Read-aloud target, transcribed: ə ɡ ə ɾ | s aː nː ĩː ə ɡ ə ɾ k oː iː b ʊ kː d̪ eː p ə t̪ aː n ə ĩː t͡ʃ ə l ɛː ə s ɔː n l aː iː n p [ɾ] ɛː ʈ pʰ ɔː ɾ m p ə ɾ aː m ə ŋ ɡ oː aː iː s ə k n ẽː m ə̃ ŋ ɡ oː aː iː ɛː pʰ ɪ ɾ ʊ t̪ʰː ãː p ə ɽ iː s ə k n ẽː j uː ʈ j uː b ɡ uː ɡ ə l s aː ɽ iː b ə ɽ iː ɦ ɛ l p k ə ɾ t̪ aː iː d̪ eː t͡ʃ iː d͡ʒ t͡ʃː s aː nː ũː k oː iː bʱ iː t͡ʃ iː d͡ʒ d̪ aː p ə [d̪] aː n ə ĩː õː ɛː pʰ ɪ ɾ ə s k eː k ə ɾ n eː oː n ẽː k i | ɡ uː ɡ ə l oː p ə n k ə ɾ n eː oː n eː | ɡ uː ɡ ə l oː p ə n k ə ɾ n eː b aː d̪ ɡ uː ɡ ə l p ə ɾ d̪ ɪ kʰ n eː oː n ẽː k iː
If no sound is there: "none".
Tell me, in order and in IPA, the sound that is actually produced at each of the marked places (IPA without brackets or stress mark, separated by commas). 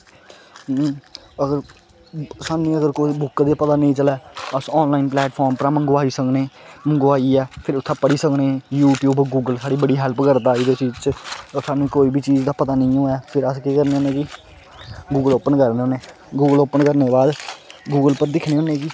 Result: l, t̪